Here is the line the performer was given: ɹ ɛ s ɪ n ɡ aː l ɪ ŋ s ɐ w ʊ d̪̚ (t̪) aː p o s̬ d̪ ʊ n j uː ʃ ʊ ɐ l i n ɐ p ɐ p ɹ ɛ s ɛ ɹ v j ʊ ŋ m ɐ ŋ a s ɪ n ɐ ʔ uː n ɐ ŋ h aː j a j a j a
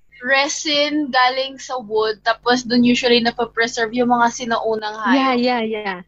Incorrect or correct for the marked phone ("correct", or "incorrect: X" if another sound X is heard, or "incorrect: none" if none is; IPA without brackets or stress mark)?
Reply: correct